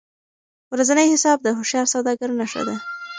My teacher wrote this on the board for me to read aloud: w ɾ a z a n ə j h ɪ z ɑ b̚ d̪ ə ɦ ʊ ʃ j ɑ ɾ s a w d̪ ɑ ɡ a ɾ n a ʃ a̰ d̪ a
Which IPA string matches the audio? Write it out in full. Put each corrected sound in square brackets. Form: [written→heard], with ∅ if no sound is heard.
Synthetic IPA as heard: w ɾ a z a n ə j h ɪ [z→s] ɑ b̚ d̪ ə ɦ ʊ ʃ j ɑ ɾ s a w d̪ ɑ ɡ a ɾ n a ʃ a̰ d̪ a